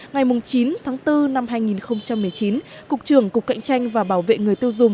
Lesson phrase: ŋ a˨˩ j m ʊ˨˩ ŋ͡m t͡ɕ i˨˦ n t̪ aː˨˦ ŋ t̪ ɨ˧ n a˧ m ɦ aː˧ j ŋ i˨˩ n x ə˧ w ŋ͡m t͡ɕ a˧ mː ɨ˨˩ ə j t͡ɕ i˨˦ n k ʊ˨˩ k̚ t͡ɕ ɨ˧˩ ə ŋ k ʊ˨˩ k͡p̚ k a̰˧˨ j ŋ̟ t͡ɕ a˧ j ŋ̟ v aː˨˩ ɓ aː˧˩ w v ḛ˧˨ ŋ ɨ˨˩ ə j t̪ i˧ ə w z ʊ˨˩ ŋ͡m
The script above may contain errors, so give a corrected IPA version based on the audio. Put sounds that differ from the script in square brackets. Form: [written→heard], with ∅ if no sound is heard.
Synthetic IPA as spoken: ŋ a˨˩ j m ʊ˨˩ ŋ͡m t͡ɕ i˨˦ n [t̪→t̪ʰ] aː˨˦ ŋ t̪ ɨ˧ n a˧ m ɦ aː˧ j ŋ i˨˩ n x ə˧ w ŋ͡m t͡ɕ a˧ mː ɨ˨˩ ə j t͡ɕ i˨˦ n k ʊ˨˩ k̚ t͡ɕ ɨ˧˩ ə ŋ k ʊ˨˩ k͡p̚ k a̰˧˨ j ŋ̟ t͡ɕ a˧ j ŋ̟ v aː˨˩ ɓ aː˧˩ w v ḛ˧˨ ŋ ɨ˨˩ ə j t̪ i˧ ə w z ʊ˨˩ ŋ͡m